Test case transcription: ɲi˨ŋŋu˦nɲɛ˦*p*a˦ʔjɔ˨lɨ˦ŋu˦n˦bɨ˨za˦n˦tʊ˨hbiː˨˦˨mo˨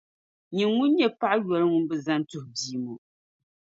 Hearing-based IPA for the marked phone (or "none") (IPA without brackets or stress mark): p